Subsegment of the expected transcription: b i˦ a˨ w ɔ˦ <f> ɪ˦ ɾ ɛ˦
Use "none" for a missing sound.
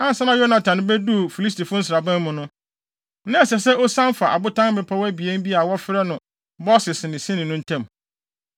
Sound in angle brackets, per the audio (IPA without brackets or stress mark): f